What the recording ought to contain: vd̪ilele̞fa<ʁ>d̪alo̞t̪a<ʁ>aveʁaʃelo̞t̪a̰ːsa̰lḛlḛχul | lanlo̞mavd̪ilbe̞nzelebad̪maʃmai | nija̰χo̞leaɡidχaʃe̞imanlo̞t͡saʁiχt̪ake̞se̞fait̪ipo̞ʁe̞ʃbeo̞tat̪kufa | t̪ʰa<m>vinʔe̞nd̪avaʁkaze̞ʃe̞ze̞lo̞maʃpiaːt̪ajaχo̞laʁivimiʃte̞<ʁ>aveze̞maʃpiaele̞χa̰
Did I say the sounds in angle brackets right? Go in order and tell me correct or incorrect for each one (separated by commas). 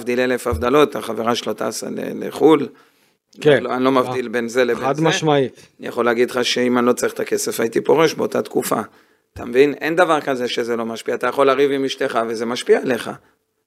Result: incorrect, incorrect, correct, incorrect